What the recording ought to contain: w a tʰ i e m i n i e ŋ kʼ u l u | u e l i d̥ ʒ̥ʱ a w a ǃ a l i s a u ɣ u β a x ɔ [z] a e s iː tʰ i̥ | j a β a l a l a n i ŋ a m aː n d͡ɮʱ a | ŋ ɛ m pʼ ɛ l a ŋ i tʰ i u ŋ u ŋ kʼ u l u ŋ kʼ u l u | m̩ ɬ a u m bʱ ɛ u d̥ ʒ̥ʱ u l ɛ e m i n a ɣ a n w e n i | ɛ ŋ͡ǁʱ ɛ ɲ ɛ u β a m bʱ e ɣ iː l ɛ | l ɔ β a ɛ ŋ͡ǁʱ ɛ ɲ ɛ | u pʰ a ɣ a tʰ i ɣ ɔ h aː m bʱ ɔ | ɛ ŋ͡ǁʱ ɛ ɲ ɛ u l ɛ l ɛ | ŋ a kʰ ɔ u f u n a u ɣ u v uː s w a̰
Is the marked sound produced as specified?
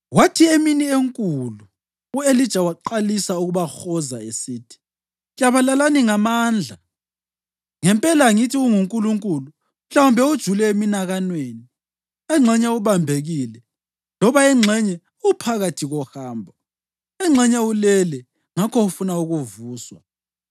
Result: yes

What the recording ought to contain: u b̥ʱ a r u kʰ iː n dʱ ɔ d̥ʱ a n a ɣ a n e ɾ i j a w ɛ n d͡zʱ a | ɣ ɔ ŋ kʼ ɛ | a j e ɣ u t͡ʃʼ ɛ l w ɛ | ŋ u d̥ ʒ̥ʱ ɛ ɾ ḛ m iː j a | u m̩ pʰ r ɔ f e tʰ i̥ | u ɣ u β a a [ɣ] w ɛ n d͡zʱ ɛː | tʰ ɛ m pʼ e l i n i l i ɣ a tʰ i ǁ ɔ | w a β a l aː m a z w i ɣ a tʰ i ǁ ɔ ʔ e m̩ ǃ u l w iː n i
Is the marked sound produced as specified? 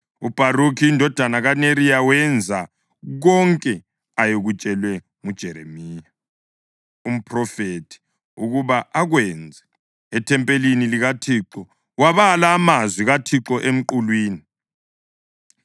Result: yes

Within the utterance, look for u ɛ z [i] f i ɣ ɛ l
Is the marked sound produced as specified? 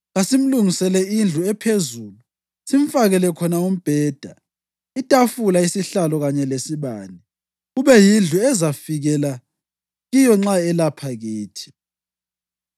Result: no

